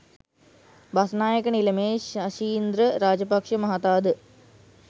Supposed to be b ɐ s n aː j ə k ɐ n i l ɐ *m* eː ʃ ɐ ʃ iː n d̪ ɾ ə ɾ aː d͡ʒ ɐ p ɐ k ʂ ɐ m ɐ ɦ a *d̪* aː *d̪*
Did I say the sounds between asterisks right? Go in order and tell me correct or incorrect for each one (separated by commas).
correct, incorrect, correct